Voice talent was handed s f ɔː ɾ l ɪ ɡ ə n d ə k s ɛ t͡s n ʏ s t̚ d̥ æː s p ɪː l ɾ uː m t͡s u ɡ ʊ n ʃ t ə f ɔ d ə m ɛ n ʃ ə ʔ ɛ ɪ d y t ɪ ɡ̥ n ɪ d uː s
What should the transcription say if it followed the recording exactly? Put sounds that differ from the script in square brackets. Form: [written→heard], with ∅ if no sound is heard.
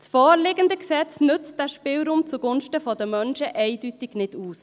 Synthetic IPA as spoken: s f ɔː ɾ l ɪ ɡ ə n d ə k s ɛ t͡s n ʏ [s→t͡s] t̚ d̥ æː [s→ʃ] p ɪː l ɾ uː m t͡s u ɡ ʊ n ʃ t ə f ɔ d ə m [ɛ→œ] n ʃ ə ʔ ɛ ɪ d y t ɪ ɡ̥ n ɪ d uː s